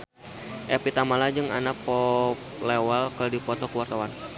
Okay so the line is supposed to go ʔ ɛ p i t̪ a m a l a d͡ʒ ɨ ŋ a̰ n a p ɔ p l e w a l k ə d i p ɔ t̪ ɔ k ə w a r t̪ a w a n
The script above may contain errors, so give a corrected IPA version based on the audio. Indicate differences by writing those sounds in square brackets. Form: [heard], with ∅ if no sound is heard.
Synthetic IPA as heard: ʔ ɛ p i t̪ a m a l a d͡ʒ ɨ ŋ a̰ n a p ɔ p l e w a l k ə d i p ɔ t̪ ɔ k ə w a r t̪ a w a n